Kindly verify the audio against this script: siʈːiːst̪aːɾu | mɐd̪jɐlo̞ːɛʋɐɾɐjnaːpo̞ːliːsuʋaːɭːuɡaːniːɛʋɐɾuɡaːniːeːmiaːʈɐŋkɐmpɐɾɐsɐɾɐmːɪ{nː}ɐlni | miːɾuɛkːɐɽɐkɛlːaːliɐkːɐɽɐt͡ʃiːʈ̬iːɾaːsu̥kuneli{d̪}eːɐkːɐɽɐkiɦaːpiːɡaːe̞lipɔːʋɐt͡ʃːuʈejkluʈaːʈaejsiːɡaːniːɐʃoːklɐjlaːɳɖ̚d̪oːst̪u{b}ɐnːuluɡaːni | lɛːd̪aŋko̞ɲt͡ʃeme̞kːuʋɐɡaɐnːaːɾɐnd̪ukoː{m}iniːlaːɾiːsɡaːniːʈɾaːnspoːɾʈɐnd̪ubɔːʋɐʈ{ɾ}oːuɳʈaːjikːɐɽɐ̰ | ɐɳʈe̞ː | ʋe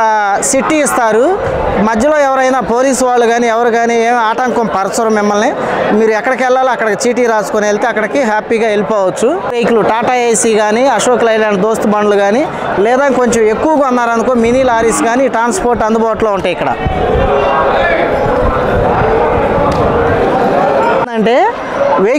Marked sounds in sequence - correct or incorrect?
incorrect: mː, incorrect: t̪, correct, correct, incorrect: l

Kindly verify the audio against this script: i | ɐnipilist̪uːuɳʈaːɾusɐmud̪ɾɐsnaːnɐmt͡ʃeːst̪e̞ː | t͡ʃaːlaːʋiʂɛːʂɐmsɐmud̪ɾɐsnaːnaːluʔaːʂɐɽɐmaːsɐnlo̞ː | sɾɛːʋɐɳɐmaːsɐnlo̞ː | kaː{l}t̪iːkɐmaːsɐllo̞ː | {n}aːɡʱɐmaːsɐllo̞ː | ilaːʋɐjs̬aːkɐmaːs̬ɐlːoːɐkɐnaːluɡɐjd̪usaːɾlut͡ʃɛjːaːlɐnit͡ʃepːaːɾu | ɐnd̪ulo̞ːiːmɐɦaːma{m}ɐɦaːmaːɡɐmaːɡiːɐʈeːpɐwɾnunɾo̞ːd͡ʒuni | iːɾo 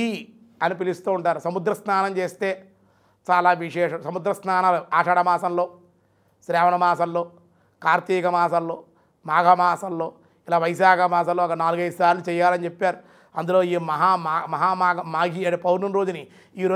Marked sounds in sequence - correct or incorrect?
incorrect: ɾ, incorrect: m, correct

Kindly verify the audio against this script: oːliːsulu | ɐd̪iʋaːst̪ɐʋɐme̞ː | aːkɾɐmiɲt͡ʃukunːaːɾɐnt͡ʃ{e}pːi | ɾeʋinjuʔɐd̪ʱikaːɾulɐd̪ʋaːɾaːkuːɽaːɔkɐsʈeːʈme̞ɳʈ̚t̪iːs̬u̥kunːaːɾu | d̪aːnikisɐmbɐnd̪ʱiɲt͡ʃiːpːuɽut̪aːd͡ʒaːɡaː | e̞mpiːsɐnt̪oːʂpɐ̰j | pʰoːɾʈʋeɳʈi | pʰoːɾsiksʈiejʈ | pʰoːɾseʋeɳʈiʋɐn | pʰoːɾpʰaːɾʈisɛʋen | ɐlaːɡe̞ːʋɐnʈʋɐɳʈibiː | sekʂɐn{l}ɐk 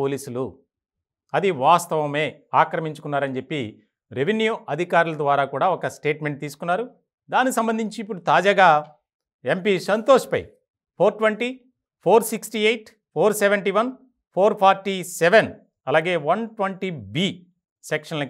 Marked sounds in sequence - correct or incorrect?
correct, correct

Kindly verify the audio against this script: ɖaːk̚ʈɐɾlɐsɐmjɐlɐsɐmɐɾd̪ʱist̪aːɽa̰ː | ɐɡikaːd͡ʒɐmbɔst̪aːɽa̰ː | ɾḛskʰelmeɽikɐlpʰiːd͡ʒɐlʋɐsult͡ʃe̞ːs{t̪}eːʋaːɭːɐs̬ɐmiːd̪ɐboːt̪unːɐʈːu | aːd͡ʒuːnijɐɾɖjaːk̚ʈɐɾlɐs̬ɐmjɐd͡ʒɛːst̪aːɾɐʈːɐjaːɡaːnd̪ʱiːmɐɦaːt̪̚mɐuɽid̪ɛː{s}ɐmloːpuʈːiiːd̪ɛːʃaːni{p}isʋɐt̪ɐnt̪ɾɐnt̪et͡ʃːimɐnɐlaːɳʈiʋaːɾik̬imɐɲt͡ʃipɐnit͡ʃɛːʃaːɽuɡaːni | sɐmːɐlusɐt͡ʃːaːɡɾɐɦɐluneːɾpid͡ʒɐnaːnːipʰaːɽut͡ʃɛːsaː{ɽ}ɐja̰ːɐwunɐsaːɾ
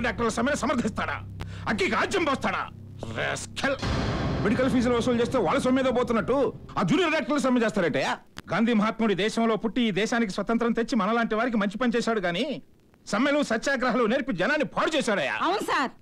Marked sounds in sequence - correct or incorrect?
correct, incorrect: ʃ, incorrect: k, correct

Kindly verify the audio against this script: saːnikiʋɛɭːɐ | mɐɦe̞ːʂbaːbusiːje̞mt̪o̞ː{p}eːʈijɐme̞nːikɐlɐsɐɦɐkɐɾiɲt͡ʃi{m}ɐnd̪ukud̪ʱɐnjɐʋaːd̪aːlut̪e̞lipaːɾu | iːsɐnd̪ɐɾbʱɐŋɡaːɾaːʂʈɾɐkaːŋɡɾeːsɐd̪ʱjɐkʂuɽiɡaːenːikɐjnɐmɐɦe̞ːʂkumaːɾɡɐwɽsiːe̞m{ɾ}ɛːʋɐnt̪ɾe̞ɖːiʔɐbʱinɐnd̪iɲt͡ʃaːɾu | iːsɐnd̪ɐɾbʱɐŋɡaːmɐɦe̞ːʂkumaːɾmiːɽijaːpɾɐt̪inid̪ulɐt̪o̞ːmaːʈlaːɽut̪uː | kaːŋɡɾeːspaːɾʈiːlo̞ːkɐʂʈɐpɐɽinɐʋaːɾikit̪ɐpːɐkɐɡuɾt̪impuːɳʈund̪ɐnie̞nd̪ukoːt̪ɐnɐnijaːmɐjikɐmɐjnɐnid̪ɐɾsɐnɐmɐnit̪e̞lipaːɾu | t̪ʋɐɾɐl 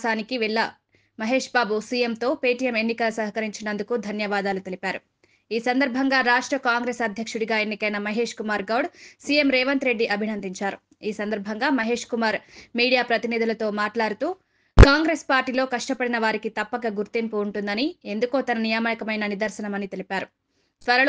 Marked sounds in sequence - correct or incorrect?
correct, incorrect: n, correct

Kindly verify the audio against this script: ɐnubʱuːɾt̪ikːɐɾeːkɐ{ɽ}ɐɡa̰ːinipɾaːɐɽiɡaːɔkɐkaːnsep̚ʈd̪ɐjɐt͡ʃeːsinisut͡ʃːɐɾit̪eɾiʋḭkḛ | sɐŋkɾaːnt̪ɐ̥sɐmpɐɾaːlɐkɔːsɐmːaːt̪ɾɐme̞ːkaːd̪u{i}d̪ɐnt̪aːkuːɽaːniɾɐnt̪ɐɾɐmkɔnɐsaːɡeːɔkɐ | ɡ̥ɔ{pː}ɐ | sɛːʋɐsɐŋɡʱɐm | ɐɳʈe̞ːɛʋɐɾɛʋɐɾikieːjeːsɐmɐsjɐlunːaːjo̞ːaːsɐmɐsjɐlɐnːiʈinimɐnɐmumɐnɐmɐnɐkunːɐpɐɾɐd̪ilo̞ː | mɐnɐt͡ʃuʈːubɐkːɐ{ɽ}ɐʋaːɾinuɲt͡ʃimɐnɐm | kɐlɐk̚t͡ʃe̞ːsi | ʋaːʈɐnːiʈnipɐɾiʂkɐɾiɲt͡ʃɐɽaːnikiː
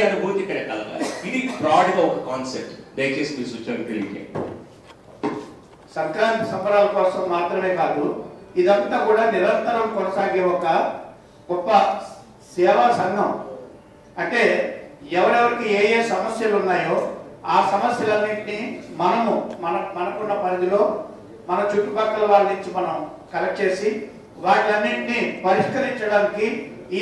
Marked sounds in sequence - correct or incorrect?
incorrect: l, correct, correct, incorrect: l

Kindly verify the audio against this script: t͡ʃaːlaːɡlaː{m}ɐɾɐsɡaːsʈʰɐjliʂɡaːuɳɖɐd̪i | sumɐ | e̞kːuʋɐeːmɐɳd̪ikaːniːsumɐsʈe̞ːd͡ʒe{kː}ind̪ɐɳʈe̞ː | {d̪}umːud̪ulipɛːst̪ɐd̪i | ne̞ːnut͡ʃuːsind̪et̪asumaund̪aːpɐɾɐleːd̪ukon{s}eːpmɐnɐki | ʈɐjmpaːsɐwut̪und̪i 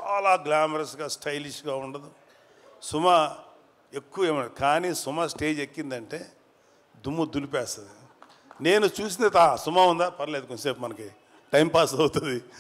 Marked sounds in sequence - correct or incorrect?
correct, correct, correct, correct

